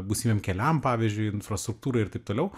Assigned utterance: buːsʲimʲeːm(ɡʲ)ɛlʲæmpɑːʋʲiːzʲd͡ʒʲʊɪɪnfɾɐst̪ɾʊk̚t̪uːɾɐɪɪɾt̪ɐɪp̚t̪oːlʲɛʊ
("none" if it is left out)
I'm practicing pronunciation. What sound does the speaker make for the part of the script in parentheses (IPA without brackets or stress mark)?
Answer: kʲ